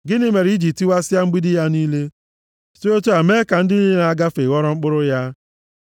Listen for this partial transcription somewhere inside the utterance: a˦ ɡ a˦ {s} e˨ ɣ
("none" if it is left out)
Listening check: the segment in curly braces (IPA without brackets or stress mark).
f